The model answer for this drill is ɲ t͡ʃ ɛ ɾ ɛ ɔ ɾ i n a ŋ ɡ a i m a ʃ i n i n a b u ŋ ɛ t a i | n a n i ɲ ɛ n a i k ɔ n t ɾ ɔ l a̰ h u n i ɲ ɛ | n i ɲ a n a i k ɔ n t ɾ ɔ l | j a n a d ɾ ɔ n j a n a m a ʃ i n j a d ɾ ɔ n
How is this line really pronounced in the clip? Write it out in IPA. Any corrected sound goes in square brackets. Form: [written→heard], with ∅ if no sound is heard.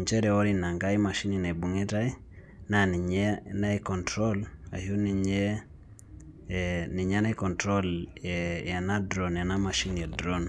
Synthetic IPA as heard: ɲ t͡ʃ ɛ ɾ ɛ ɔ ɾ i n a ŋ ɡ a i m a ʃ i n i n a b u ŋ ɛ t a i | n a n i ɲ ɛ n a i k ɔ n t ɾ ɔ l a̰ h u n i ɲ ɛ | n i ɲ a n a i k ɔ n t ɾ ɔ l | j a n a d ɾ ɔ n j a n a m a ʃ i n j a d ɾ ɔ n

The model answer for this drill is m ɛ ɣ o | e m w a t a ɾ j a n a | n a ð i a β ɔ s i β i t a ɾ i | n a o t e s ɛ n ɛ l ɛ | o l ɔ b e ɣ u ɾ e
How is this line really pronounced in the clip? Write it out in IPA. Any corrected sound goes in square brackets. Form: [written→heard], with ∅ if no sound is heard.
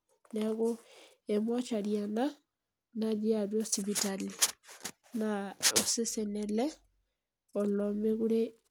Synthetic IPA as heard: [m→n] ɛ ɣ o | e m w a [t→t͡ʃ] a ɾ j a n a | n a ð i a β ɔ s i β i t a [ɾ→l] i | n a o [t→s] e s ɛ n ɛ l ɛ | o l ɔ [b→m] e ɣ u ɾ e

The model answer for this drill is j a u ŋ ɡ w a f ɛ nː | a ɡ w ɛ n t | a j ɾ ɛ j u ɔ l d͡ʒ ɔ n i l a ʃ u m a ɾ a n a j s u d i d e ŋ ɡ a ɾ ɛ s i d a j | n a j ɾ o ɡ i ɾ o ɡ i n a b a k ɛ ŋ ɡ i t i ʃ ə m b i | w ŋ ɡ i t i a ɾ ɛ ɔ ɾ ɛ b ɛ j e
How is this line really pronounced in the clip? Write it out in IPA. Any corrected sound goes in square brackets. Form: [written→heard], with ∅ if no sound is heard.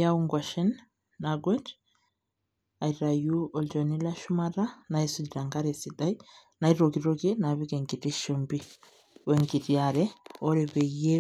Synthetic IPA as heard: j a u ŋ ɡ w a [f→ʃ] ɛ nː | a ɡ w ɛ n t | a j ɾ [ɛ→a] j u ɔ l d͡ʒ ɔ n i l a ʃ u m a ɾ a n a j s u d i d [e→a] ŋ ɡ a ɾ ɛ s i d a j | n a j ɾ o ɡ i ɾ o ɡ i n a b [a→i] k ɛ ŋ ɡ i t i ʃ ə m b i | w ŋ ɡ i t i a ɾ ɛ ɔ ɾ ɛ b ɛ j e

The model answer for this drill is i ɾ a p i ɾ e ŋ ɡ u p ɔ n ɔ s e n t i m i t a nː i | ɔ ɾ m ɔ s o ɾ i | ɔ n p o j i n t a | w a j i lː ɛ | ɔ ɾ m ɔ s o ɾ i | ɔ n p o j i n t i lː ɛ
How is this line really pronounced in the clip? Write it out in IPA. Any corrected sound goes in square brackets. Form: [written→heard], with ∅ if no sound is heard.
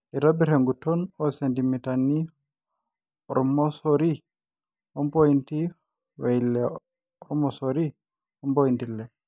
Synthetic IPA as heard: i ɾ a [p→b] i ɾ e ŋ ɡ u [p→t] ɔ n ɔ s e n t i m i t a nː i | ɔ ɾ m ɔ s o ɾ i | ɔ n p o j i n t [a→i] | w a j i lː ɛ | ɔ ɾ m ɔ s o ɾ i | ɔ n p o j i n t i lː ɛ

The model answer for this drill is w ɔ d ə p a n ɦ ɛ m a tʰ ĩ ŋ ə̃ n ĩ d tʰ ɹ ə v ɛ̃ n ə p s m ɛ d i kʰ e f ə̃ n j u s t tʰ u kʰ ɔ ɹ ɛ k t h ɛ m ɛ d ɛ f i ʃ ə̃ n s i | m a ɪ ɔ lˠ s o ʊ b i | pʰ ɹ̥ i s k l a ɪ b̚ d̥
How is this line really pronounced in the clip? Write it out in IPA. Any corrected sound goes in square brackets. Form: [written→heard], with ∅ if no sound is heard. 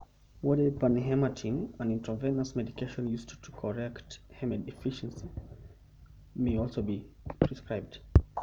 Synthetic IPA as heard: w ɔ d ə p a n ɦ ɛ m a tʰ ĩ ŋ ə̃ n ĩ [d→n] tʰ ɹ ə v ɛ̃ n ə [p→∅] s m ɛ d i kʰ e [f→ʃ] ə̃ n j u s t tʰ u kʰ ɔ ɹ ɛ k t h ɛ m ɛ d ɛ f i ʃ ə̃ n s i | m [a→e] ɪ ɔ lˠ s o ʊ b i | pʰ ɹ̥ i s k [l→ɹ] a ɪ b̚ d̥

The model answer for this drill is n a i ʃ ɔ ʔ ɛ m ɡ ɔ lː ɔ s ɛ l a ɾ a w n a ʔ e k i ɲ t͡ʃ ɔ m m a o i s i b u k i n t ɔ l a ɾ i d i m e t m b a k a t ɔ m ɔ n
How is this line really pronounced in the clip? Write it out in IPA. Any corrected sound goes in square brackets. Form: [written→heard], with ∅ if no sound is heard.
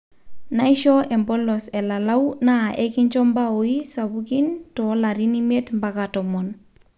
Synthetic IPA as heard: n a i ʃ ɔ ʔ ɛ m [ɡ→b] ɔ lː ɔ s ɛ l a [ɾ→l] a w n a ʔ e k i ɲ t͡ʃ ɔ m [m→b] a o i s [i→a] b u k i n t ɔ l a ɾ i [d→n] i m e t m b a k a t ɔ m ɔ n

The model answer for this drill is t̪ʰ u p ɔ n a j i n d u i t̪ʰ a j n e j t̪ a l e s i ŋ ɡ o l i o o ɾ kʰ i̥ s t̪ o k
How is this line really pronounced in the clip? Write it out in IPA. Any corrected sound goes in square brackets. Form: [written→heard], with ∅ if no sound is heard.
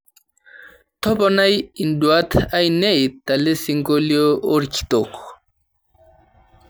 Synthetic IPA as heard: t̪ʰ [u→ɔ] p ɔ n a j i n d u [i→a] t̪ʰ a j n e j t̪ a l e s i ŋ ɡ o l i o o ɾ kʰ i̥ [s→∅] t̪ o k

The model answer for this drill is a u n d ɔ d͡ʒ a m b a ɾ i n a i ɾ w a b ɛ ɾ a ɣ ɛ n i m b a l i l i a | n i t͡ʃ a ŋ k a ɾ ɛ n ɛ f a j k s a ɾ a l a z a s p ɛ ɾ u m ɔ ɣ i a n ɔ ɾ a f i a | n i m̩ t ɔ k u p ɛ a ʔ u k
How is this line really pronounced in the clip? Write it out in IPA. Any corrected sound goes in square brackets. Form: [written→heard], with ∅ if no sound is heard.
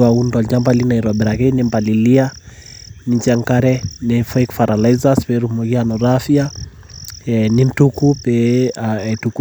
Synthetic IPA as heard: a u n d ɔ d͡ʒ a m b a [ɾ→l] i n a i ɾ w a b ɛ ɾ a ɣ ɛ n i m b a l i l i a | n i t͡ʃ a ŋ k a ɾ ɛ n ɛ f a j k [s→f] a ɾ a l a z a s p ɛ ɾ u m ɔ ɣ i a n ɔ ɾ a f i a | n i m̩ t [ɔ→u] k u p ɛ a [ʔ→t] u k

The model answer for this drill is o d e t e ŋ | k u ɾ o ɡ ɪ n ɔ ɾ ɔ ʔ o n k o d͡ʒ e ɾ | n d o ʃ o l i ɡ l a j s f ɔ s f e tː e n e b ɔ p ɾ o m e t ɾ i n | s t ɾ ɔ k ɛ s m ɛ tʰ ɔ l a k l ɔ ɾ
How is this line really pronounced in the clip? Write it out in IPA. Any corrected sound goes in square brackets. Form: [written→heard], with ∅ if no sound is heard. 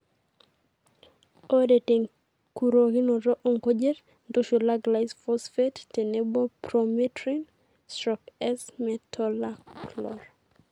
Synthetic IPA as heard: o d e t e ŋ | k u ɾ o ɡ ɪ n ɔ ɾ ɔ ʔ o [n→ŋ] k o d͡ʒ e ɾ | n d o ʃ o l [i→a] ɡ l a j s f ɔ s f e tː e n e b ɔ p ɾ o m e t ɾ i n | s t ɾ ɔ k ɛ s m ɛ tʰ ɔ l a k l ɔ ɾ

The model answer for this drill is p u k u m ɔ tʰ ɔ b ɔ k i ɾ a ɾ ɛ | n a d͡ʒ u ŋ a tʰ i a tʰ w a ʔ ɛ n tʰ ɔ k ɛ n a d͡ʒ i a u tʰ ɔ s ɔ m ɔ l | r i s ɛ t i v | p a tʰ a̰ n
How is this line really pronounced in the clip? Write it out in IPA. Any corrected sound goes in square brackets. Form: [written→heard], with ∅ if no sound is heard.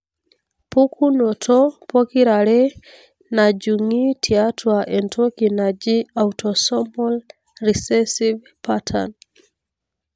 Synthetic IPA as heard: p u k u [m→n] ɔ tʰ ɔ [b→p] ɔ k i ɾ a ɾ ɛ | n a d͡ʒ u ŋ [a→i] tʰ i a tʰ w a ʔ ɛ n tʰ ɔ k [ɛ→i] n a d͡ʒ i a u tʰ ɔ s ɔ m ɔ l | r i s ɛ [t→s] i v | p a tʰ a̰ n

